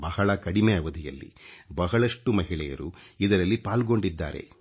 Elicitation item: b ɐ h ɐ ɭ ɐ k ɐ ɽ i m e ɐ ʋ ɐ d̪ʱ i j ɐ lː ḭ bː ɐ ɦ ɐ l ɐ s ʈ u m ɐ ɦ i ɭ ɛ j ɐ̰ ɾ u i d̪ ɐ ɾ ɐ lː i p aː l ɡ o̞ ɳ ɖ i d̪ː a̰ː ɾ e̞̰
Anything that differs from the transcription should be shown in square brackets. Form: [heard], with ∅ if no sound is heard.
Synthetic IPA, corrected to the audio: b ɐ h ɐ ɭ ɐ k ɐ ɽ i m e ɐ ʋ ɐ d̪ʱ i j ɐ lː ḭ [b] ɐ ɦ ɐ [ɭ] ɐ [ʂ] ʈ u m ɐ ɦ i ɭ ɛ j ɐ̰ ɾ u i d̪ ɐ ɾ ɐ lː i p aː l ɡ o̞ ɳ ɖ i d̪ː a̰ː ɾ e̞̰